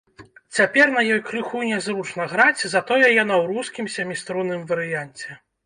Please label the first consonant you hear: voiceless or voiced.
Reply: voiceless